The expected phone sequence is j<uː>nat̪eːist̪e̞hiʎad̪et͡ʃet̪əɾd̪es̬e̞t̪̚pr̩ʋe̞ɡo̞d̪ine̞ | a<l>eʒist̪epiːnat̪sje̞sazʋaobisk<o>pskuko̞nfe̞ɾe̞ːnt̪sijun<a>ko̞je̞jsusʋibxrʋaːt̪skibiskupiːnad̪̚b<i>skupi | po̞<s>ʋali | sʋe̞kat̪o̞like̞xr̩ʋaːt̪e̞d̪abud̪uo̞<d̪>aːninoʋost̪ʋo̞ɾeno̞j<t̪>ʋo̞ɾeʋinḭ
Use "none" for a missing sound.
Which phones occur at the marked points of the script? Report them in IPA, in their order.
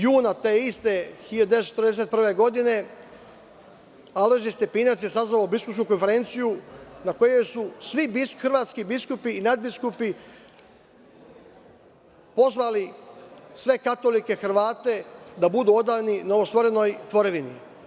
uː, l, u, a, i, z, d̪, t̪

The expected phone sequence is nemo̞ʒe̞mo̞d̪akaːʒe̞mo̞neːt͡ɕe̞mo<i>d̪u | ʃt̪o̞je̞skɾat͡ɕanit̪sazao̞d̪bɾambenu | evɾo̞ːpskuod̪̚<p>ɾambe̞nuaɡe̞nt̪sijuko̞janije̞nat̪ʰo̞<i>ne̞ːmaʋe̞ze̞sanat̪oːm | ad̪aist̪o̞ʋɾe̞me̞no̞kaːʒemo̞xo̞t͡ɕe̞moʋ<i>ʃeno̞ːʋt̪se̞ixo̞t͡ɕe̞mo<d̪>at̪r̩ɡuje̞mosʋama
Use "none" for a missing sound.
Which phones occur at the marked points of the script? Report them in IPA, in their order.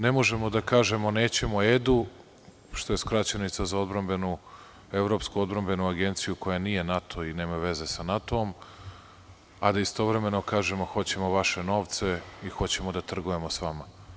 e, b, i, a, d̪

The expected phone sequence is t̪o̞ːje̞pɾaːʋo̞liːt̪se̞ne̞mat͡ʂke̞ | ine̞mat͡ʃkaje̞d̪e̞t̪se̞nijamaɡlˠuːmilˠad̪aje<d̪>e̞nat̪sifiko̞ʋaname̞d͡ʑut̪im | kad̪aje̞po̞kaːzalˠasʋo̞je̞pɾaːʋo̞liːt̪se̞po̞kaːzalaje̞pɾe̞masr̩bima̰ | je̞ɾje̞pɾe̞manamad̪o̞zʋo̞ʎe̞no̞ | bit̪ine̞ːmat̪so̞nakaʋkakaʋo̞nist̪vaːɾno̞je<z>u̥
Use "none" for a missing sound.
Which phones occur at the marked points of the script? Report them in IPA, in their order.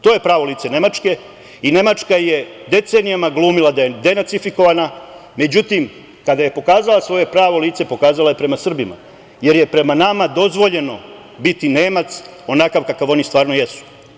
d̪, s

